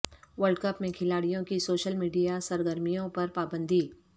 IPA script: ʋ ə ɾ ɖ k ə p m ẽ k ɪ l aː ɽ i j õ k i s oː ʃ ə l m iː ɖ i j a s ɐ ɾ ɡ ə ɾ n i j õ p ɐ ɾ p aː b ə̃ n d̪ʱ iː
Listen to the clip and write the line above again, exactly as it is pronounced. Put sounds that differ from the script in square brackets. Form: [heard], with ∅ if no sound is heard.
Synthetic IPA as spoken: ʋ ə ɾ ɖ k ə p m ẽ [kʰ] ɪ l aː ɽ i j õ k i s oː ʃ ə l m iː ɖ i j a s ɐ ɾ ɡ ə ɾ [m] i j õ p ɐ ɾ p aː b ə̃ n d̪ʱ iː